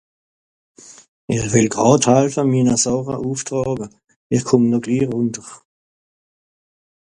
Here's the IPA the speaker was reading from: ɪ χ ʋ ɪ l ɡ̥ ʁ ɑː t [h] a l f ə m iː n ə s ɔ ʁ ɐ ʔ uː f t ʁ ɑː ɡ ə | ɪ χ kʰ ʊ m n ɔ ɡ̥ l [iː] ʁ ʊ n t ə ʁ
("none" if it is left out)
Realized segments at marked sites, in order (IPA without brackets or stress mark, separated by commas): h, iː